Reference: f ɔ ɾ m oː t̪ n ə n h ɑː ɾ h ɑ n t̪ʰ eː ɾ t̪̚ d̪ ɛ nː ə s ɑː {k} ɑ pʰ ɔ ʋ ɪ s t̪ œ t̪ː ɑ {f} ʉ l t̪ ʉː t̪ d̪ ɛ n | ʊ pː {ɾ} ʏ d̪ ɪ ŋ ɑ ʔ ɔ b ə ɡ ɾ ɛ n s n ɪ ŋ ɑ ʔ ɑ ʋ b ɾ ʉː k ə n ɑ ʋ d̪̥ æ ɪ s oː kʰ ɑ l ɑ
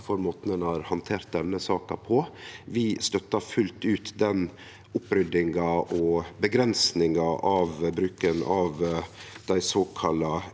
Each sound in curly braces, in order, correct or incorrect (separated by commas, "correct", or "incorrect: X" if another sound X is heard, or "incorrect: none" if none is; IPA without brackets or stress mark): correct, correct, correct